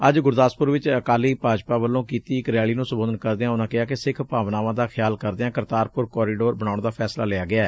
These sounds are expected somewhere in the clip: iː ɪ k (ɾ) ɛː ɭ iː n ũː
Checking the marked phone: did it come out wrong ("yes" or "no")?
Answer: no